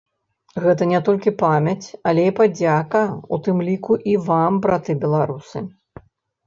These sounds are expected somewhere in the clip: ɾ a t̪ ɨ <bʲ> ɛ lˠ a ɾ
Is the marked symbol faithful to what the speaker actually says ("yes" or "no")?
yes